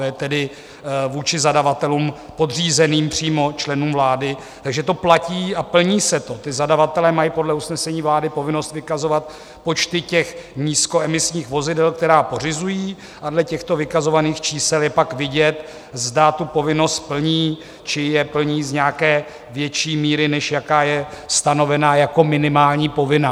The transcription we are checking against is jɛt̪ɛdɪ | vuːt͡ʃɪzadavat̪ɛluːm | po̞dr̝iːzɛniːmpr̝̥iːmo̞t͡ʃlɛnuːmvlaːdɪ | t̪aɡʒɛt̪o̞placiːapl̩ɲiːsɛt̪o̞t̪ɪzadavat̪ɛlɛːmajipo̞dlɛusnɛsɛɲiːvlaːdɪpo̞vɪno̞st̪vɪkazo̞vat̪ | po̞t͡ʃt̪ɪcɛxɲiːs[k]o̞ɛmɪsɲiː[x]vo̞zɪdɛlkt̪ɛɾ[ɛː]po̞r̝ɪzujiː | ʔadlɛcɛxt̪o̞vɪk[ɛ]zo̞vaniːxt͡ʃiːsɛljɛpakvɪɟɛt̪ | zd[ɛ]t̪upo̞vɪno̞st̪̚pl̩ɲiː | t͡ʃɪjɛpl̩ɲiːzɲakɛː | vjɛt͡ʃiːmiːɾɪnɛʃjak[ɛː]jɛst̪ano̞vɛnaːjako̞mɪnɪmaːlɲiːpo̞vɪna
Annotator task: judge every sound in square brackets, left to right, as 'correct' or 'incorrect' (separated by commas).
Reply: correct, correct, incorrect, incorrect, incorrect, incorrect